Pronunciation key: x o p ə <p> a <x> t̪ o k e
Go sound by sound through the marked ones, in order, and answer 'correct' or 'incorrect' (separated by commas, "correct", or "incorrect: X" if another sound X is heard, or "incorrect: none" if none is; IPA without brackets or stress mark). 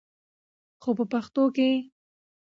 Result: correct, correct